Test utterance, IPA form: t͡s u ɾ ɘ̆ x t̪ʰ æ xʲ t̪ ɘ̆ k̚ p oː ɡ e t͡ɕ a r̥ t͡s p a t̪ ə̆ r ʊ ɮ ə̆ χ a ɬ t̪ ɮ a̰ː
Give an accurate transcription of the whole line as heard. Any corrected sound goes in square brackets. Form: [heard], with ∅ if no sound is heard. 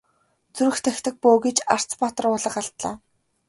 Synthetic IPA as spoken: t͡s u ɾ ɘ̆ x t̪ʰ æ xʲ t̪ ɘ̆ k̚ p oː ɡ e t͡ɕ a r̥ t͡s p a t̪ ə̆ r ʊ ɮ ə̆ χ a ɬ t̪ ɮ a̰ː